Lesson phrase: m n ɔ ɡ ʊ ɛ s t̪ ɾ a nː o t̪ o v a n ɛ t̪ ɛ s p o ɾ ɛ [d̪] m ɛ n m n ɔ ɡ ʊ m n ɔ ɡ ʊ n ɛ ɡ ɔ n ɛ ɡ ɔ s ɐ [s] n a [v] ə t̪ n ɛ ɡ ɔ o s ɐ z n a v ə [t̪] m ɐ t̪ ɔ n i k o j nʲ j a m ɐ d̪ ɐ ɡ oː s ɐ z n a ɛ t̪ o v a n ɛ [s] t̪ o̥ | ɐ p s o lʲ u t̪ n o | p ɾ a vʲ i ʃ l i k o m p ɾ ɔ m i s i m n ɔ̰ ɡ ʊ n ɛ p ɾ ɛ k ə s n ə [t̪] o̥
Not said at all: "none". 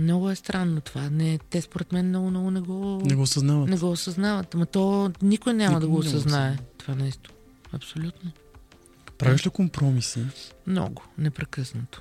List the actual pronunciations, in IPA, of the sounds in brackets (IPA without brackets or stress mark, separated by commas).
t̪, z, v, t̪, s, t̪